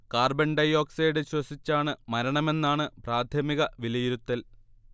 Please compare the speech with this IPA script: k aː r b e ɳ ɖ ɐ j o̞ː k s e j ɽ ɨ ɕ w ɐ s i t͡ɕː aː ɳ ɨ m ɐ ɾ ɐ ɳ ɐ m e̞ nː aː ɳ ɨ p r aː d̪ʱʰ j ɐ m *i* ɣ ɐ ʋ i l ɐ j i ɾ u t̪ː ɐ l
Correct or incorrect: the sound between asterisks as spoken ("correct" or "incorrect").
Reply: correct